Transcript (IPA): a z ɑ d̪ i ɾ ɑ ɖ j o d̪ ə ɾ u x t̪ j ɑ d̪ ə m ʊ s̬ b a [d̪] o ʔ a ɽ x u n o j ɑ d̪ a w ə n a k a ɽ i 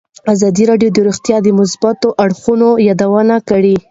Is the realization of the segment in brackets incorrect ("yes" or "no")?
yes